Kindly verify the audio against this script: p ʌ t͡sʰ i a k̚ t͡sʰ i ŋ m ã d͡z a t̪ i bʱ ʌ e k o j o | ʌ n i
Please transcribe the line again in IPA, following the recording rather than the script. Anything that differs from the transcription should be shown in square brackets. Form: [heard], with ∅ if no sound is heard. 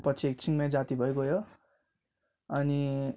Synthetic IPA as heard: p ʌ t͡sʰ i [e] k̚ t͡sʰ i ŋ m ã d͡z a t̪ i bʱ ʌ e k o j o | ʌ n i